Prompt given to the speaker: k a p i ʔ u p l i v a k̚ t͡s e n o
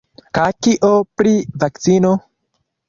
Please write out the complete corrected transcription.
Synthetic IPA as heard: k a k i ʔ o p ɾ i v a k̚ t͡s i n o